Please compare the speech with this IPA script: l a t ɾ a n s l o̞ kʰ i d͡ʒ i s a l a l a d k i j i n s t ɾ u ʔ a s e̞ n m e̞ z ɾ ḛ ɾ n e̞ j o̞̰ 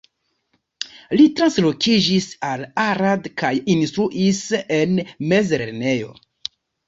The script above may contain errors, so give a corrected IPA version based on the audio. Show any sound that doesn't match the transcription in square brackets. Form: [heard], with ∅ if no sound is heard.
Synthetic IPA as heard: l [i] t ɾ a n s l o̞ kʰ i d͡ʒ i s a l a [ɾ] a d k [a] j i n s t ɾ u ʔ [i] s e̞ n m e̞ z ɾ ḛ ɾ n e̞ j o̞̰